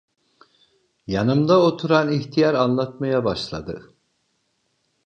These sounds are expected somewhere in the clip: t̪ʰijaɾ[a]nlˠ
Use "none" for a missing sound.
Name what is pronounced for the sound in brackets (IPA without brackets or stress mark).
a